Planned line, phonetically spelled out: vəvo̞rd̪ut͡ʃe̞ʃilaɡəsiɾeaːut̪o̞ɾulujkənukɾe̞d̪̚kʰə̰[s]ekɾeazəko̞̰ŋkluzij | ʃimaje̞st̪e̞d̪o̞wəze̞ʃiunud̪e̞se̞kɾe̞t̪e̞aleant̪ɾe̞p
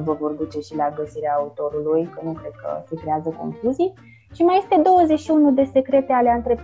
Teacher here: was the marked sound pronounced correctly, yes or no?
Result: yes